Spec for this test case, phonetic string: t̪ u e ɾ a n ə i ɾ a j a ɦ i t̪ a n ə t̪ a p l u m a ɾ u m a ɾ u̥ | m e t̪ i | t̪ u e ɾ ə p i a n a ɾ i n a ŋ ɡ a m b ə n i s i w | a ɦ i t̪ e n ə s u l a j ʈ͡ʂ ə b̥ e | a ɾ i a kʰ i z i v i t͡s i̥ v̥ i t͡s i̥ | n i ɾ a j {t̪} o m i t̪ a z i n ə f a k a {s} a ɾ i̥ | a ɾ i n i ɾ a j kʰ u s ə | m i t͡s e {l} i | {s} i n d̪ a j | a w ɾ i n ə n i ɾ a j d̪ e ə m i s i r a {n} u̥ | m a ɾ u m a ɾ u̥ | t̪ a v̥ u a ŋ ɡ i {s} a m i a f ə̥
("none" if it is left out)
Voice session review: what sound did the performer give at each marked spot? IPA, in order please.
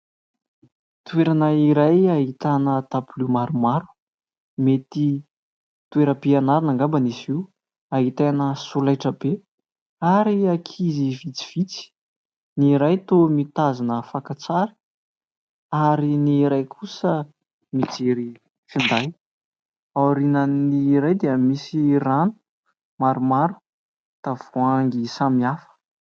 t̪, t͡s, ɾ, f, n, s

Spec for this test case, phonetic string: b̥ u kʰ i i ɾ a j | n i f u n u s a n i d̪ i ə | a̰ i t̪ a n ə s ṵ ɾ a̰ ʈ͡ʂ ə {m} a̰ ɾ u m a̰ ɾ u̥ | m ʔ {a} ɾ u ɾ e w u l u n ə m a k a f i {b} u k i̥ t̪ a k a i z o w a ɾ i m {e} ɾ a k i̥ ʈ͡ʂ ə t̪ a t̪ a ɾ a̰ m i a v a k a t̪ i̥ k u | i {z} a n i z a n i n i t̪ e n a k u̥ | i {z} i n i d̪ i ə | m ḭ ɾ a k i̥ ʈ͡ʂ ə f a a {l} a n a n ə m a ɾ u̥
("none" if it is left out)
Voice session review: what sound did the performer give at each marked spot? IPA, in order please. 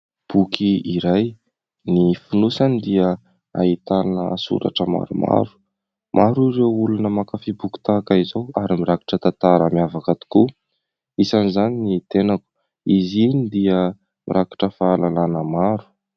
m, a, b, i, s, z, l

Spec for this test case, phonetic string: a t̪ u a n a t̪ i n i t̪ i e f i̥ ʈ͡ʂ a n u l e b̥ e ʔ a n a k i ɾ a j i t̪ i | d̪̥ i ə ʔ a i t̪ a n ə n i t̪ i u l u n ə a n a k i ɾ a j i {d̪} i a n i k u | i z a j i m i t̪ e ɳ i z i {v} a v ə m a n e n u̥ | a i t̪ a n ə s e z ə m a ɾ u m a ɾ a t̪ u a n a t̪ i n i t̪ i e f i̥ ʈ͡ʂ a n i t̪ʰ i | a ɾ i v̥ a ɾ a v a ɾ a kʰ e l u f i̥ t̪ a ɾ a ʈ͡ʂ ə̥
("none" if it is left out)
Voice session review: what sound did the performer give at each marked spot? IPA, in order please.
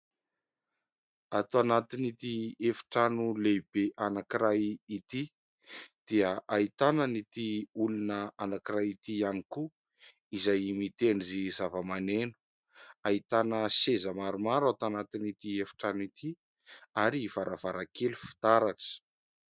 t̪, z

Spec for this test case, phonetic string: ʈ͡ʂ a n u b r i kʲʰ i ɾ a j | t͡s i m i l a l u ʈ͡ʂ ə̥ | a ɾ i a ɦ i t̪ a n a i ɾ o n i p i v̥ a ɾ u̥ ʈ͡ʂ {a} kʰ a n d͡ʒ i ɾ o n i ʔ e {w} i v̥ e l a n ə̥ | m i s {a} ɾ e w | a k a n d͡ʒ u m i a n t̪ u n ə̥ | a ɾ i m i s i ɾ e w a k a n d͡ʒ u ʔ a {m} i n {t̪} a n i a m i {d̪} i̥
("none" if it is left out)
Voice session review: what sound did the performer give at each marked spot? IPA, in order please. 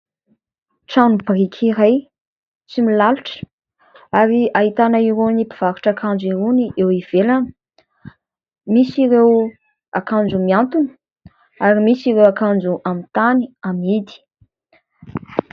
a, w, i, m, t̪, d̪

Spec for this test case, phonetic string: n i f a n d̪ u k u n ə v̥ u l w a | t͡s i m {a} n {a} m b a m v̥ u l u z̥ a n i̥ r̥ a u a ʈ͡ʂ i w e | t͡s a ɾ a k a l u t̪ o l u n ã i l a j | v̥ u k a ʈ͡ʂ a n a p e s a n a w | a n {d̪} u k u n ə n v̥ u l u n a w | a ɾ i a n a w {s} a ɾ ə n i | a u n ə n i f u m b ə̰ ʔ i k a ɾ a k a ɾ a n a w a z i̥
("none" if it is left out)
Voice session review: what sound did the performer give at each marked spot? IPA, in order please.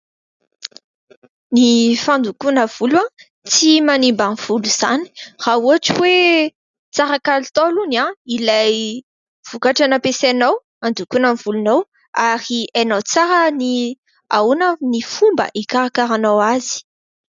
a, i, d̪, t͡s

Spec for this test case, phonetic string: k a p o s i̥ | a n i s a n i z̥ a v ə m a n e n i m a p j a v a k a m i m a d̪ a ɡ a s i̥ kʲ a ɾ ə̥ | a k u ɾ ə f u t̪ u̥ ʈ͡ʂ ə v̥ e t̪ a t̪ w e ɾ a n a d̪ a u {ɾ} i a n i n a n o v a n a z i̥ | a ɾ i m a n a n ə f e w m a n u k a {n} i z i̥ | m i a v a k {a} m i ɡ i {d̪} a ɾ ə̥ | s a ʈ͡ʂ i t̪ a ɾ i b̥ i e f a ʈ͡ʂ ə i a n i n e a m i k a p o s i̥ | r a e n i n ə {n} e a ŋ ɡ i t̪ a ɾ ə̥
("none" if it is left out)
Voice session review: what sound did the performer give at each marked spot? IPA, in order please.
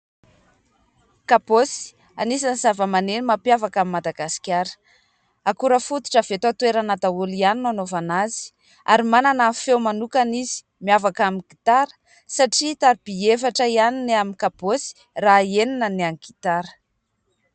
l, n, a, t̪, n

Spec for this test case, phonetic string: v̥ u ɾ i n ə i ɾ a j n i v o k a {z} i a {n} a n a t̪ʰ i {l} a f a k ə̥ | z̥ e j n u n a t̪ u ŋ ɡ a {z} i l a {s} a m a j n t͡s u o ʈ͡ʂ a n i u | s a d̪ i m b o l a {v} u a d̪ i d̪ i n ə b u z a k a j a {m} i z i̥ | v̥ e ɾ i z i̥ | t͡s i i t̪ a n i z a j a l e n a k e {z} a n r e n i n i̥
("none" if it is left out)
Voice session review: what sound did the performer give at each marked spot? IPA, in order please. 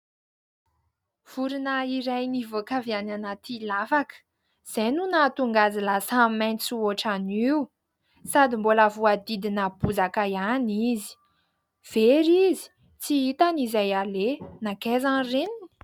v, n, l, z, s, v, n, z

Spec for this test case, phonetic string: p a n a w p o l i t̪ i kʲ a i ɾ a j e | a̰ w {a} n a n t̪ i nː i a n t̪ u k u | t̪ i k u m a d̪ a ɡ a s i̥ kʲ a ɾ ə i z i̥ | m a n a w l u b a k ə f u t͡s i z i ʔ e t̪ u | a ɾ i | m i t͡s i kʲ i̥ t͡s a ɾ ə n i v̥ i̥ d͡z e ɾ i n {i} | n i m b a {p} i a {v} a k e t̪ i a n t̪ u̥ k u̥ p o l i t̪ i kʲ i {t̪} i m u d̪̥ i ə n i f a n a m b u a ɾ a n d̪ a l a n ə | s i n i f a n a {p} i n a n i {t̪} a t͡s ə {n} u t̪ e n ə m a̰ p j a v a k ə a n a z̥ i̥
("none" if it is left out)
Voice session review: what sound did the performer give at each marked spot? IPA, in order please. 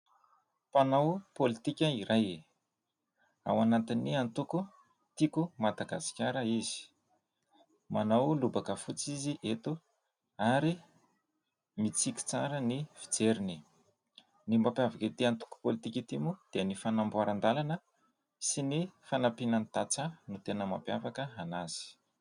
a, i, p, v, t̪, p, t̪, n

